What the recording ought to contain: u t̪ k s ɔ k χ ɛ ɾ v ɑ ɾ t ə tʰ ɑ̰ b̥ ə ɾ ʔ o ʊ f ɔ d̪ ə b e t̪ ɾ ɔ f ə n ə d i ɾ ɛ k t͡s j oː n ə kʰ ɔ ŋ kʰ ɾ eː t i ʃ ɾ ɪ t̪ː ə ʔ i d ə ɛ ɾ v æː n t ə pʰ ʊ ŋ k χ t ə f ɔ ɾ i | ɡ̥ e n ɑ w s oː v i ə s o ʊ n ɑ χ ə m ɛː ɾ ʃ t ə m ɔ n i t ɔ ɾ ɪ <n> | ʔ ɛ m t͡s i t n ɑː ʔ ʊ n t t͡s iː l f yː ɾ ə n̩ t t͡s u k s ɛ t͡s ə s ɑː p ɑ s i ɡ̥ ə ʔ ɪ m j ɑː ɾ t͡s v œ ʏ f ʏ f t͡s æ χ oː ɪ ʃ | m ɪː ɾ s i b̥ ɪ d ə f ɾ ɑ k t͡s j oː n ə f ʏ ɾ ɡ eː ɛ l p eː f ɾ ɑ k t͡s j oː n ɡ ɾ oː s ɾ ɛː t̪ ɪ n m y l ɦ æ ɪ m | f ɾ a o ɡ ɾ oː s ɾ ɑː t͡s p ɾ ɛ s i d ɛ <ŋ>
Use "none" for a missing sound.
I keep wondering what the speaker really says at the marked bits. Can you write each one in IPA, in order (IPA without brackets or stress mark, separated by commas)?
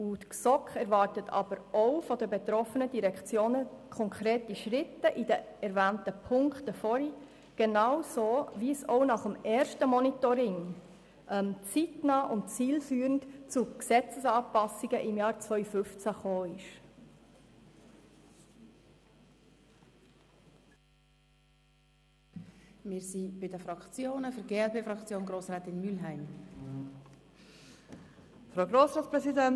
ŋ, n